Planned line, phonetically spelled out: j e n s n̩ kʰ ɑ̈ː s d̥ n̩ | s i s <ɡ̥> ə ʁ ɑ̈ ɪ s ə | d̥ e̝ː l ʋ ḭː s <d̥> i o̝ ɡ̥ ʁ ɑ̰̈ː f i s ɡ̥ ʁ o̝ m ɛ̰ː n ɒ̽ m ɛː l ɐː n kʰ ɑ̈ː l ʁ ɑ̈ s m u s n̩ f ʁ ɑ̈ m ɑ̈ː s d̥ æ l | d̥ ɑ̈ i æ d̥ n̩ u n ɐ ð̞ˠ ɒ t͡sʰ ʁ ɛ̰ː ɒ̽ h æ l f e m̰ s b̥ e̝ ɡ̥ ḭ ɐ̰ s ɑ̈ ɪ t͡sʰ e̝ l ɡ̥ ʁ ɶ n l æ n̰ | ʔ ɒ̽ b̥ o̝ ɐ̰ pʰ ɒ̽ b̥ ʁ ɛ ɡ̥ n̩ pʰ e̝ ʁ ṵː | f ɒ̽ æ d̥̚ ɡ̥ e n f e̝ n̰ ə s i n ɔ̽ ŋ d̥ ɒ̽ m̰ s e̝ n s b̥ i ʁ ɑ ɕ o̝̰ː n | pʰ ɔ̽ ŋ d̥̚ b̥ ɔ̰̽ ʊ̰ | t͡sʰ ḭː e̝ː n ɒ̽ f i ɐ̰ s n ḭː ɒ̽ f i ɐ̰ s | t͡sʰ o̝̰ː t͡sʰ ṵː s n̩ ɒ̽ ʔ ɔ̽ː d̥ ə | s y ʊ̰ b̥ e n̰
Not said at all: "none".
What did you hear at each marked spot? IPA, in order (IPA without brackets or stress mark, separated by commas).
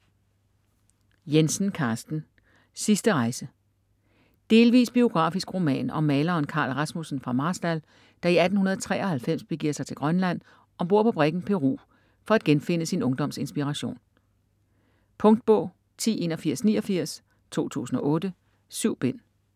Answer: d̥, b̥